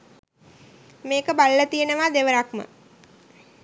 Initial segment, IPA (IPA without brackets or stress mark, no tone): m